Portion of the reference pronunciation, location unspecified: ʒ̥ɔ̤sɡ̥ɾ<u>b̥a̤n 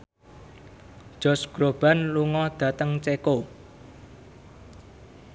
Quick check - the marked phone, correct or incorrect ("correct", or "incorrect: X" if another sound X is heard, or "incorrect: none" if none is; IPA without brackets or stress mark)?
incorrect: o